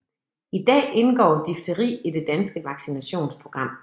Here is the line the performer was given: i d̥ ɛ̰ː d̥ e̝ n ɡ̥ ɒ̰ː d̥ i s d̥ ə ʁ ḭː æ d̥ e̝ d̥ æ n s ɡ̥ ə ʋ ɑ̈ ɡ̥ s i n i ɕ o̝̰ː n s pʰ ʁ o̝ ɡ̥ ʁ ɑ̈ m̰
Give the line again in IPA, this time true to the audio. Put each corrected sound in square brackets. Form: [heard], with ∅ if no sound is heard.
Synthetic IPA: i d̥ ɛ̰ː [∅] e̝ n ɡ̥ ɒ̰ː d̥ i [f] d̥ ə ʁ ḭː [i] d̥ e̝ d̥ æ n s ɡ̥ ə ʋ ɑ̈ ɡ̥ s i n [æ] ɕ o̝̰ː n s pʰ ʁ o̝ ɡ̥ ʁ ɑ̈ m̰

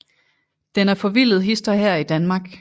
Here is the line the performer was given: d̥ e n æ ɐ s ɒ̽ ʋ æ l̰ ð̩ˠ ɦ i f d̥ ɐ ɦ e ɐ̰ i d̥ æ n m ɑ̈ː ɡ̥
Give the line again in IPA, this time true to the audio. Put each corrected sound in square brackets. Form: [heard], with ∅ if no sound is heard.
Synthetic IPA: d̥ e n æ ɐ [f] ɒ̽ ʋ [i] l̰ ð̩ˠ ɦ i [s] d̥ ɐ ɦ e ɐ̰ i d̥ æ n m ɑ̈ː ɡ̥

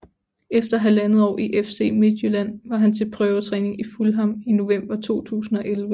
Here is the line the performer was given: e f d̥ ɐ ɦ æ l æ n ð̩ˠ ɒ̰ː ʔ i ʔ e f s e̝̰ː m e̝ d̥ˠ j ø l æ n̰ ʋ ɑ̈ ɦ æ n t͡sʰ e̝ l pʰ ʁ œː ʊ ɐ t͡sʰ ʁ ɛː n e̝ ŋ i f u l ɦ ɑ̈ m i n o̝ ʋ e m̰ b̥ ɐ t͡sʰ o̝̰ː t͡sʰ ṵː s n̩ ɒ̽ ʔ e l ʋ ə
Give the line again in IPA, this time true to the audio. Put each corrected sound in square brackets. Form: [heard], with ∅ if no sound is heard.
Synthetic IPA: e f d̥ ɐ ɦ æ l æ n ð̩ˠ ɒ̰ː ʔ i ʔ e f s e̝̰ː m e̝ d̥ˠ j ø l æ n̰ ʋ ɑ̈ ɦ æ n t͡sʰ e̝ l pʰ ʁ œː ʊ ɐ t͡sʰ ʁ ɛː n e̝ ŋ i f u l ɦ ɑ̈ m i n o̝ ʋ e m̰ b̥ ɐ t͡sʰ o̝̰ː t͡sʰ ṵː s n̩ ɒ̽ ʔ e l ʋ ə

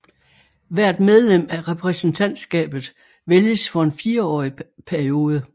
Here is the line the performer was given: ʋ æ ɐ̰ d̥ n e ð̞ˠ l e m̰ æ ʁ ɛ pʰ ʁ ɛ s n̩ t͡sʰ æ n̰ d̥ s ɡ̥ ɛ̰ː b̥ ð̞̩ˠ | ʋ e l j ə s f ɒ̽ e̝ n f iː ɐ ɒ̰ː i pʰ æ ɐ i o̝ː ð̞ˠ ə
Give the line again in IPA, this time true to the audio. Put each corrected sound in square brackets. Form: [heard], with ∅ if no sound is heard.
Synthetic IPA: ʋ æ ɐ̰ d̥ [m] e ð̞ˠ l e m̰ æ ʁ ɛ pʰ ʁ ɛ s n̩ t͡sʰ æ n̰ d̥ s ɡ̥ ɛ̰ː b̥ ð̞̩ˠ | ʋ e l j ə s f ɒ̽ e̝ n f iː ɐ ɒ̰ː i pʰ æ ɐ i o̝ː ð̞ˠ ə

